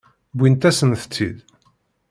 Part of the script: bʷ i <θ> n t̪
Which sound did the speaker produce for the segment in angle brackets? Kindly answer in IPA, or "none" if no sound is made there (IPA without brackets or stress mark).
none